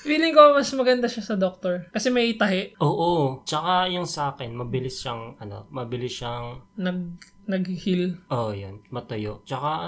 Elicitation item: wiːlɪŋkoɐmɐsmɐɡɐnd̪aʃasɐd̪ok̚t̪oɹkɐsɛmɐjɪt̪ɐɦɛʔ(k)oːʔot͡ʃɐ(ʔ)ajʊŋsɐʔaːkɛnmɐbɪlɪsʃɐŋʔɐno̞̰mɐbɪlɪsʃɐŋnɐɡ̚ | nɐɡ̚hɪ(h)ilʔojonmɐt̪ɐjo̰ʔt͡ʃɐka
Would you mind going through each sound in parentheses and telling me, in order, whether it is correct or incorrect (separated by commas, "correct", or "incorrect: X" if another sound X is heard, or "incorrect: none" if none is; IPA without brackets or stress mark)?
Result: incorrect: ʔ, incorrect: k, correct